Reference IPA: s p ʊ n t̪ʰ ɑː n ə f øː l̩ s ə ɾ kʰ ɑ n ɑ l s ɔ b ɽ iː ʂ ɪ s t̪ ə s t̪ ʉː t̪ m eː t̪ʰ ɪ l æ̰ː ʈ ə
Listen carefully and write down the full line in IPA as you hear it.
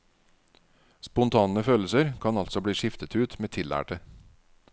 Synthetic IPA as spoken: s p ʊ n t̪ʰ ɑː n ə f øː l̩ s ə ɾ kʰ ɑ n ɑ l s ɔ b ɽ iː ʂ ɪ f t̪ ə t̪ ʉː t̪ m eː t̪ʰ ɪ l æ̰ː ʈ ə